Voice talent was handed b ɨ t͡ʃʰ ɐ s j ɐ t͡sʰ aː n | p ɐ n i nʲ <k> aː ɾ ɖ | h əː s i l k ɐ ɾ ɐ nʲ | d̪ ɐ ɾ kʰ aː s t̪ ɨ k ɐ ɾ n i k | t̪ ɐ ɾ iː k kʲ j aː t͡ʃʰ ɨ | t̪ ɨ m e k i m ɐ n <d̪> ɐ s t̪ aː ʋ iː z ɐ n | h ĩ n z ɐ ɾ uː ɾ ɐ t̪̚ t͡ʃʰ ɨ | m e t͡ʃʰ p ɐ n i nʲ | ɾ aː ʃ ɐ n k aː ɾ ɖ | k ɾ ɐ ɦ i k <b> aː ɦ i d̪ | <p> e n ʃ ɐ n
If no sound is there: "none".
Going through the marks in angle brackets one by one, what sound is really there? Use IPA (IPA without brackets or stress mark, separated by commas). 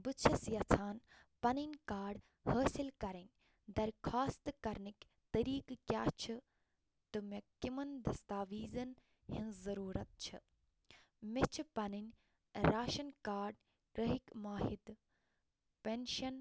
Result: k, d̪, m, p